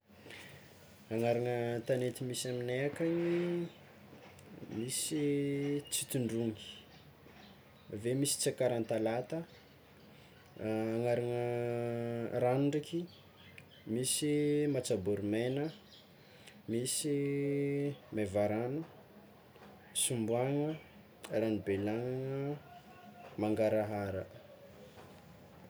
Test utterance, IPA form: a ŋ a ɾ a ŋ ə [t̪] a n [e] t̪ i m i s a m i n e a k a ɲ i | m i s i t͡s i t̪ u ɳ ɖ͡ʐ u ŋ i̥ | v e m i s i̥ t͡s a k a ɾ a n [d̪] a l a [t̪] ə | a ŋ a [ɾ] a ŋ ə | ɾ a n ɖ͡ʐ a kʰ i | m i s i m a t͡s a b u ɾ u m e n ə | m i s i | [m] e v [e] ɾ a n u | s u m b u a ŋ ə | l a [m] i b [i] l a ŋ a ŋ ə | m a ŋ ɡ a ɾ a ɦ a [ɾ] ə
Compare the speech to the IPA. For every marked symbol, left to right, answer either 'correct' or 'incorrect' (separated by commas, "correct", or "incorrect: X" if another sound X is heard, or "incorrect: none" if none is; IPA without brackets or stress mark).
correct, correct, incorrect: t̪, correct, correct, correct, incorrect: a, incorrect: n, incorrect: e, correct